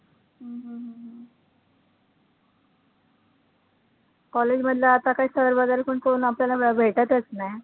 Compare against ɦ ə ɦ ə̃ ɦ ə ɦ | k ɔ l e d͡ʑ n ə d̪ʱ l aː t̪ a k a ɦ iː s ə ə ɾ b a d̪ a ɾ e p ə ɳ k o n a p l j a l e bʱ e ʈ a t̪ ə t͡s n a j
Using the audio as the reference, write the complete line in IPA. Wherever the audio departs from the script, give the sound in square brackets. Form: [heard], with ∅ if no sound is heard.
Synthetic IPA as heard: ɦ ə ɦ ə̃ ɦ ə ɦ | k ɔ l e d͡ʑ [m] ə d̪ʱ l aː t̪ a k a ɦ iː s ə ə ɾ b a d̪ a ɾ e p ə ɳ k o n a p l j a l [a] bʱ e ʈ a t̪ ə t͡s n a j

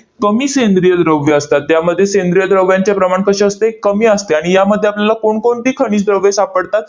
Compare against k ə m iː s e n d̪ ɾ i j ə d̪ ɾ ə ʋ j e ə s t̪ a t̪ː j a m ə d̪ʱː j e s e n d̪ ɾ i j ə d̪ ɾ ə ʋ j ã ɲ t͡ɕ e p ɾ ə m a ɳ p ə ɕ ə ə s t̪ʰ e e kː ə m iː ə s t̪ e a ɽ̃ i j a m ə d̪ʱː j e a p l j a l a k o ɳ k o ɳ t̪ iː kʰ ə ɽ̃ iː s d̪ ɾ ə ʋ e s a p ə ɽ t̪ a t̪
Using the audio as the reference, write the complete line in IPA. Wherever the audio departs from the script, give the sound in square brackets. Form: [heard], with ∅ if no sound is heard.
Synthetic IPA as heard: k ə m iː s e n d̪ ɾ i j ə d̪ ɾ ə ʋ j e ə s t̪ a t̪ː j a m ə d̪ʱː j e s e n d̪ ɾ i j ə d̪ ɾ ə ʋ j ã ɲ t͡ɕ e p ɾ ə m a ɳ [k] ə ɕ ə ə s [t̪] e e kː ə m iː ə s t̪ e a ɽ̃ i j a m ə d̪ʱː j e a p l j a l a k o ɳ k o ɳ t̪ iː kʰ ə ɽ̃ iː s d̪ ɾ ə ʋ e s a p ə ɽ t̪ a t̪

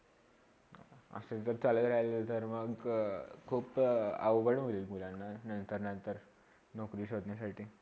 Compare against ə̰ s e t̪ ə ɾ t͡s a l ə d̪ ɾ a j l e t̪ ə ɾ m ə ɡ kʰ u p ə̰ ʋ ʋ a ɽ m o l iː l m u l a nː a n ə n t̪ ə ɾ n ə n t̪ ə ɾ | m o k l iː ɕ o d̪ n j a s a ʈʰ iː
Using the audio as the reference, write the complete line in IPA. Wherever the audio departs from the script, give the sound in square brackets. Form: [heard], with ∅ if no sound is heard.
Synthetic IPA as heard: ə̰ s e t̪ ə ɾ t͡s a l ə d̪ ɾ a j l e t̪ ə ɾ m ə ɡ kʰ [uː] p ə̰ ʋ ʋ [ə] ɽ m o l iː l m u l a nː a n ə n t̪ ə ɾ n ə n t̪ ə ɾ | [n] o k [ɾ] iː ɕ o d̪ n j a s a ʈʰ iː

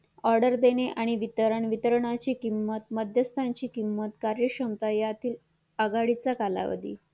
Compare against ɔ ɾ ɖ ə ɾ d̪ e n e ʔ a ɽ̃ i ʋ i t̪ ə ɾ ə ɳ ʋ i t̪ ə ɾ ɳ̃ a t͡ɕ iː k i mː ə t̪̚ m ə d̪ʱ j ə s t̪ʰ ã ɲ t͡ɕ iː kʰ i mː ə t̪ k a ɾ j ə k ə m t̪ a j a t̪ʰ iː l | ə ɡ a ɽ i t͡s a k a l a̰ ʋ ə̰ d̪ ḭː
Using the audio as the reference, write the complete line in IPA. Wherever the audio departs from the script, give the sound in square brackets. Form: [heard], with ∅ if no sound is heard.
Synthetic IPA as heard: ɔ ɾ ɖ ə ɾ d̪ e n e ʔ a ɽ̃ i ʋ i t̪ ə ɾ ə ɳ ʋ i t̪ ə ɾ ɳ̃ a t͡ɕ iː k i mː ə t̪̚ m ə d̪ʱ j ə s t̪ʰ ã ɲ t͡ɕ iː [k] i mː ə t̪ k a ɾ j ə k ə m t̪ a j a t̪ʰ iː l | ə ɡ a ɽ i t͡s a k a l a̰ ʋ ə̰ d̪ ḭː

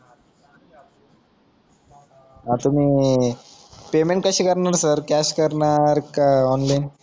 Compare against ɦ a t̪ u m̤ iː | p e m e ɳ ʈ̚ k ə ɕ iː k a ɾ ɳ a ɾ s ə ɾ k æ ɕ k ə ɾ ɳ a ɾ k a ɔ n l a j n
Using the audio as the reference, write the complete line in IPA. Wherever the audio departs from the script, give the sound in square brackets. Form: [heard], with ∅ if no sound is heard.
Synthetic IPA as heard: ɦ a t̪ u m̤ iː | p e m e ɳ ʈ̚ k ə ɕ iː k [ə] ɾ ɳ a ɾ s ə ɾ k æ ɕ k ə ɾ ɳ a ɾ k a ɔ n l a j n

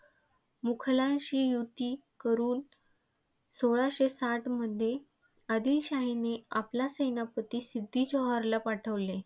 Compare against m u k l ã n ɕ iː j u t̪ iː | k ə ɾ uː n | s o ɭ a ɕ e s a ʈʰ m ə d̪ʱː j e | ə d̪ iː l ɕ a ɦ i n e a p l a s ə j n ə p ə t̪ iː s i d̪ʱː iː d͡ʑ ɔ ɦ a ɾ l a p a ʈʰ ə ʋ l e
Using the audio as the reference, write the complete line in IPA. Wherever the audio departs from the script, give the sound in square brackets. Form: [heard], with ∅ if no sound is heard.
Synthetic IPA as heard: m u [kʰ] l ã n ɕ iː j u t̪ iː | k ə ɾ uː n | s o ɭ a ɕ e s a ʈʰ m ə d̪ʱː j e | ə d̪ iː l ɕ a ɦ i n e a p l a s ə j n [a] p ə t̪ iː s i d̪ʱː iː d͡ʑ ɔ ɦ a ɾ l a p a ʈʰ ə ʋ l e

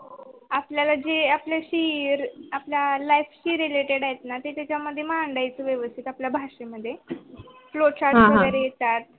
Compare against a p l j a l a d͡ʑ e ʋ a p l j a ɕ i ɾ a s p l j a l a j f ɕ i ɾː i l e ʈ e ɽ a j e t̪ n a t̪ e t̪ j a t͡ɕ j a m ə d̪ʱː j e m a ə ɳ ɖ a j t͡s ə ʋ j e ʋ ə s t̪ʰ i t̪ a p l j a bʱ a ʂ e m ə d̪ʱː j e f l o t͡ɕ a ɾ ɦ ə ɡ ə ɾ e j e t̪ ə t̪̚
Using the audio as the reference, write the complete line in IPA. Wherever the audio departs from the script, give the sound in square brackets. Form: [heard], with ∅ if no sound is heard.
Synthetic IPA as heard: a p l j a l a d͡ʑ e [∅] a p l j a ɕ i ɾ a [∅] p l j a l a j f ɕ i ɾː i l e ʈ e ɽ a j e t̪ n a t̪ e t̪ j a t͡ɕ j a m ə d̪ʱː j e m a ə ɳ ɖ a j t͡s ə ʋ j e ʋ ə s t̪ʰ i t̪ a p l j a bʱ a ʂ e m ə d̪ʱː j e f l o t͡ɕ a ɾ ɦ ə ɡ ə ɾ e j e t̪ [a] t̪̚

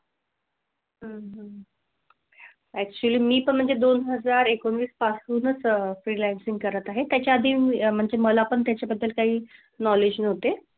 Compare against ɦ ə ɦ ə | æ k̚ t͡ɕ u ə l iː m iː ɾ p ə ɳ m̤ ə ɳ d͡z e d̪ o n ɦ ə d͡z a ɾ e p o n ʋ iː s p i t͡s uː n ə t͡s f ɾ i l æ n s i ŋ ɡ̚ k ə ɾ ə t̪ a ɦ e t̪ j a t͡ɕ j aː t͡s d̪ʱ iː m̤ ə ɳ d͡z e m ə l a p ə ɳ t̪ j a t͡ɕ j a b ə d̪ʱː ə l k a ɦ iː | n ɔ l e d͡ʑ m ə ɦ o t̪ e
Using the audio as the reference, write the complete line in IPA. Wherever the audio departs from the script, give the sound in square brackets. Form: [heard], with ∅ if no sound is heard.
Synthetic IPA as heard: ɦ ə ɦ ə | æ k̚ t͡ɕ u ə l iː m iː [∅] p ə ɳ m̤ ə ɳ d͡z e d̪ o n ɦ ə d͡z a ɾ e [k] o n ʋ iː s p [a] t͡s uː n ə t͡s f ɾ i l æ n s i ŋ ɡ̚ k ə ɾ ə t̪ a ɦ e t̪ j a t͡ɕ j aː [∅] d̪ʱ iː m̤ ə ɳ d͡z e m ə l a p ə ɳ t̪ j a t͡ɕ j a b ə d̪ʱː ə l k a ɦ iː | n ɔ l e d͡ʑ [n] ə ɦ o t̪ e

